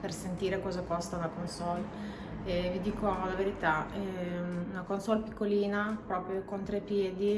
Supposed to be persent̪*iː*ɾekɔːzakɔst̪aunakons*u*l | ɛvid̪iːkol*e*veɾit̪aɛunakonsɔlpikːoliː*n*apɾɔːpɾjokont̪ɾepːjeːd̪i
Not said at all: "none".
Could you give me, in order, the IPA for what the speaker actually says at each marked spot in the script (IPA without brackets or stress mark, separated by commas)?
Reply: iː, ɔ, a, n